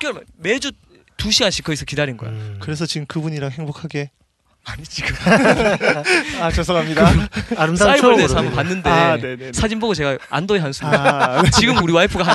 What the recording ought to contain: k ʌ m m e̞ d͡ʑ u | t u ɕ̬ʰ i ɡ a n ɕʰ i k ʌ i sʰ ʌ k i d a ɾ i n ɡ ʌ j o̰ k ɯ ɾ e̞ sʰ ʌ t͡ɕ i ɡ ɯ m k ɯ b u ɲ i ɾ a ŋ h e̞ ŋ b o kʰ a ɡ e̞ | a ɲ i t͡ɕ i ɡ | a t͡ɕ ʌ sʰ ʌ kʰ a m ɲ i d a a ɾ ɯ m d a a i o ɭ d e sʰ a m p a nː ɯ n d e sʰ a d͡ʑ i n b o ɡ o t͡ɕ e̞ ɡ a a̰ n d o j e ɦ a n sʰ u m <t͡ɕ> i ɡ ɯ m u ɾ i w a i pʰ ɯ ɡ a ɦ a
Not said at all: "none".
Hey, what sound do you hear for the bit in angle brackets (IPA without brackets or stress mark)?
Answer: t͡ɕ